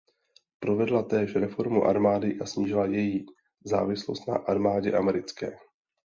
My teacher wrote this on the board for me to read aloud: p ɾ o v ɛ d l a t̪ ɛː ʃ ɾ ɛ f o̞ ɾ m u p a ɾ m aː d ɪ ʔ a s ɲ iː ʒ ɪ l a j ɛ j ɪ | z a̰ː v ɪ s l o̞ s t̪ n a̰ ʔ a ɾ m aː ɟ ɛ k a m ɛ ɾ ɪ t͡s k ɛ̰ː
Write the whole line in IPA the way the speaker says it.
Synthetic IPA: p ɾ o v ɛ d l a t̪ ɛː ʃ ɾ ɛ f o̞ ɾ m u ʔ a ɾ m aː d ɪ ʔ a s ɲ iː ʒ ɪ l a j ɛ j i | z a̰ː v ɪ s l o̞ s t̪ n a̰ ʔ a ɾ m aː ɟ ɛ ʔ a m ɛ ɾ ɪ t͡s k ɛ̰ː